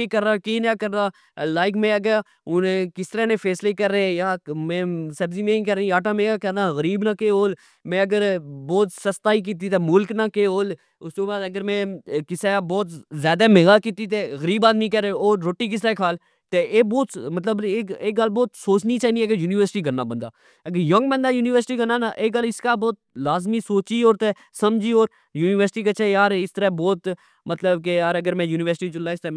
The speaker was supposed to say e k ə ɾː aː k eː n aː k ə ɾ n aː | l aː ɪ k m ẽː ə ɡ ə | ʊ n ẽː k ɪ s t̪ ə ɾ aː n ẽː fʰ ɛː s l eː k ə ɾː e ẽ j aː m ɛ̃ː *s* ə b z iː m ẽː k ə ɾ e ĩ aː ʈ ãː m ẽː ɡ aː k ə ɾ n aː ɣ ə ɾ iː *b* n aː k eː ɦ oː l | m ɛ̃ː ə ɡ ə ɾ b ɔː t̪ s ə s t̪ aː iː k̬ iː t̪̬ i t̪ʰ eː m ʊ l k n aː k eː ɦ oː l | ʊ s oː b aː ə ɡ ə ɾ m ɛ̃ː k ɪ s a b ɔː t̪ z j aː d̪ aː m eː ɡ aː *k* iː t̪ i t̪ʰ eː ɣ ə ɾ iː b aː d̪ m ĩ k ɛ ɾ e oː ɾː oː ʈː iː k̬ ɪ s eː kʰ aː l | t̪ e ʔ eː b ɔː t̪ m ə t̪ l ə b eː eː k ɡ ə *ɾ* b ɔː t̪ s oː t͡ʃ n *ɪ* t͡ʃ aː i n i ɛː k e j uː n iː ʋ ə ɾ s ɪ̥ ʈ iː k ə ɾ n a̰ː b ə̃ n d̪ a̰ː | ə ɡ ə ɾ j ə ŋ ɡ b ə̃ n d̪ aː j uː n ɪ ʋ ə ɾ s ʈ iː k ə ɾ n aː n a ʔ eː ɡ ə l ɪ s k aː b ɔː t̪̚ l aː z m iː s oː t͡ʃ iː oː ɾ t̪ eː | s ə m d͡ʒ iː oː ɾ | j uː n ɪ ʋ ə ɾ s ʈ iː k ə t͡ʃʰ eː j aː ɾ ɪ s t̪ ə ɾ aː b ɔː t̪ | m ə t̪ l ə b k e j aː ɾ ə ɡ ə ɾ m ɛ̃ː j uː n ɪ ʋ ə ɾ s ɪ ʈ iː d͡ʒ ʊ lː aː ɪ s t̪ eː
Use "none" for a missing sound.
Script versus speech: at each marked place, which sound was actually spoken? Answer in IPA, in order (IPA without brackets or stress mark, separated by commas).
s, b, k, l, i